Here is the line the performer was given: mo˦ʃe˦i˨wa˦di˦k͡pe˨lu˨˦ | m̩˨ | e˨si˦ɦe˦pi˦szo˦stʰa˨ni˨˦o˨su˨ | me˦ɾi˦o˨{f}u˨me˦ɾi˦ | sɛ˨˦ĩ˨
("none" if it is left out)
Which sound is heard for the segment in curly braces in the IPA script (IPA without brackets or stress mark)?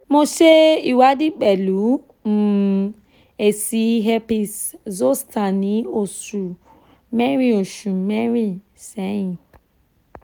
ʃ